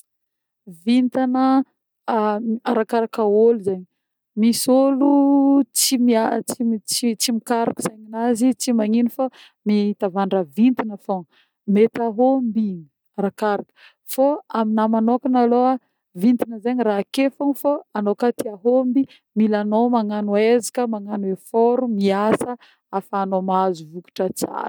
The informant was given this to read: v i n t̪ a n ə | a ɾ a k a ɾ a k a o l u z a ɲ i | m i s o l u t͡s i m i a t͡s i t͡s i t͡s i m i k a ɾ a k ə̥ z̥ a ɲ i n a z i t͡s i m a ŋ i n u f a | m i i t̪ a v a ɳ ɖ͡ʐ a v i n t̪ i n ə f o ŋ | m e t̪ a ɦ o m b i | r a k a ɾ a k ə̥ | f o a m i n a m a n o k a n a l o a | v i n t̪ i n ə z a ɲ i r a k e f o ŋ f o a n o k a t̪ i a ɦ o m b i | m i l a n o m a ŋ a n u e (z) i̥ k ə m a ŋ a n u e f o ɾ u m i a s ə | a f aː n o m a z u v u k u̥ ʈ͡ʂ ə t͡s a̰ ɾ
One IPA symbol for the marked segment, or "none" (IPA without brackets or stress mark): z